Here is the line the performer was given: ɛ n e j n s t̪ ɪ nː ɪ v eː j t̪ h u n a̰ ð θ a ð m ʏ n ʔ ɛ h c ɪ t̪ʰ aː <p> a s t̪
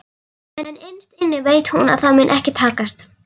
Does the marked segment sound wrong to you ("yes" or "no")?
yes